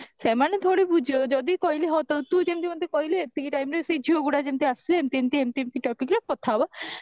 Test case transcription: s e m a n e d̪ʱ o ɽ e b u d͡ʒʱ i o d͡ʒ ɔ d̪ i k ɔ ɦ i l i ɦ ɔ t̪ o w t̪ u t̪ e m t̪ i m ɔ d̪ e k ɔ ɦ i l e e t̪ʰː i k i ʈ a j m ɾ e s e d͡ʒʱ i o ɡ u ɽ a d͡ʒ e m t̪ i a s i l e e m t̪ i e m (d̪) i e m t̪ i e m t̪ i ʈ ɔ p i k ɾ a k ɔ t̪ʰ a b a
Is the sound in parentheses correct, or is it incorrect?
incorrect